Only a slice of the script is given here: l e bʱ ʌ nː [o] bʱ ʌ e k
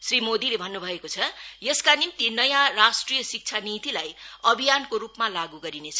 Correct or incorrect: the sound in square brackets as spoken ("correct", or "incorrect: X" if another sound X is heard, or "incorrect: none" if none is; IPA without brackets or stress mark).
incorrect: u